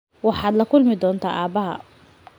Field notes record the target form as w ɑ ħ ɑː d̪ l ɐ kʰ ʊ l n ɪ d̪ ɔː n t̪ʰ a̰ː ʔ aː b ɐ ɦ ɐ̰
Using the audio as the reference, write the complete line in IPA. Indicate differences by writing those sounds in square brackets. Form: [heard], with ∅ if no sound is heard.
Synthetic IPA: w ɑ ħ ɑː d̪ l ɐ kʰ ʊ l [m] ɪ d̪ ɔː n t̪ʰ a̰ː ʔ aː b ɐ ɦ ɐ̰

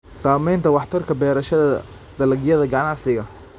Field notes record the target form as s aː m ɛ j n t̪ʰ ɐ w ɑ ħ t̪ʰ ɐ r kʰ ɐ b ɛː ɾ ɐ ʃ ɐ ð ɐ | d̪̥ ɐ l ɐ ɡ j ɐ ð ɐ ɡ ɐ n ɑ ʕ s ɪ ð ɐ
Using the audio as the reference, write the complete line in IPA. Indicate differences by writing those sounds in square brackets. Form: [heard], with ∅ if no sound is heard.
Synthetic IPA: s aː m ɛ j n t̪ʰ ɐ w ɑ ħ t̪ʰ ɐ r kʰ ɐ b ɛː ɾ ɐ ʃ ɐ ð ɐ | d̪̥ ɐ l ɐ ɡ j ɐ ð ɐ ɡ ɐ n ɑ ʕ s ɪ [ɣ] ɐ

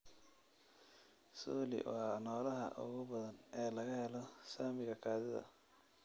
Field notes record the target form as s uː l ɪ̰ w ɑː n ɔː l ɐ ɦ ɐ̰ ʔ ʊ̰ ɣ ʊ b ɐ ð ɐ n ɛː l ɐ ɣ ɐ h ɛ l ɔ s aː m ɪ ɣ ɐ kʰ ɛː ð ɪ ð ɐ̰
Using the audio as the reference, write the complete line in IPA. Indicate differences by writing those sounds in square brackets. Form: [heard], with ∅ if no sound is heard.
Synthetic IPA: s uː l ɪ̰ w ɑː n ɔː l ɐ ɦ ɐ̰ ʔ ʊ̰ ɣ ʊ b ɐ ð ɐ n ɛː l ɐ ɣ ɐ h ɛ l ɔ s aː m ɪ ɣ ɐ kʰ [aː] ð ɪ ð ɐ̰

